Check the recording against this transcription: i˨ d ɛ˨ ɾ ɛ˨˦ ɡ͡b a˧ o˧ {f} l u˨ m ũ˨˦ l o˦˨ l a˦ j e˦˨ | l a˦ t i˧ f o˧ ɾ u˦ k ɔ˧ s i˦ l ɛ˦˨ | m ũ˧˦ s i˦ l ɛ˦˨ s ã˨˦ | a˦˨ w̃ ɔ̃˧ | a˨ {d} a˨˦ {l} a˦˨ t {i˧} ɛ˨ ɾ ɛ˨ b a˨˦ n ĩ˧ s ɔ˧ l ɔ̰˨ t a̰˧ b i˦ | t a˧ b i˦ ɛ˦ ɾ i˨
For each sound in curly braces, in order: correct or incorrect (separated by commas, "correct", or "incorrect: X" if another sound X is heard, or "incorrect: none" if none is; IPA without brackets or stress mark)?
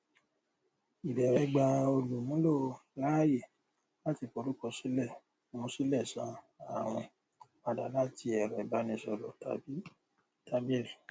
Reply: incorrect: none, correct, correct, correct